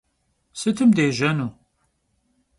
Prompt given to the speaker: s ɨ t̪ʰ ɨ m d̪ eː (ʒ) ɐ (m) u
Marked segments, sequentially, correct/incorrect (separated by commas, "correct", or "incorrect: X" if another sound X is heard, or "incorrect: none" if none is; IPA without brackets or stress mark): correct, incorrect: n